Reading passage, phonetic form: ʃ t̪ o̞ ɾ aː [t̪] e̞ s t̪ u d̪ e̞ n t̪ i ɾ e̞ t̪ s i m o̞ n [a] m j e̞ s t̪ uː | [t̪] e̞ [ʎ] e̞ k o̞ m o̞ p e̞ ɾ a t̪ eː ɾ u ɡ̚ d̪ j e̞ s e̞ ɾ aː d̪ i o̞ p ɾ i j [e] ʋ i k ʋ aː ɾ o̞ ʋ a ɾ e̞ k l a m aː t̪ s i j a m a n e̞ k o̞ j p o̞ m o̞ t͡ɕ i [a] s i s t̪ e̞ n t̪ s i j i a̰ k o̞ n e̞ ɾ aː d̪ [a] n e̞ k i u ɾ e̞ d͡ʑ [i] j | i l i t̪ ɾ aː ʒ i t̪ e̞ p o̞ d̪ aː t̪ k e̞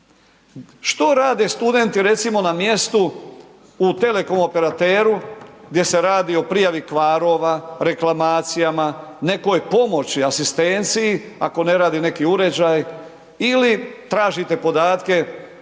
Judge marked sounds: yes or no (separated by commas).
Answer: no, yes, yes, no, no, yes, no, no